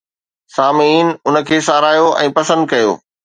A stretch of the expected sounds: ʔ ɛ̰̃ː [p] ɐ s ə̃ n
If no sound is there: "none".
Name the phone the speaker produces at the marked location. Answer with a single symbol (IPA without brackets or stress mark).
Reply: p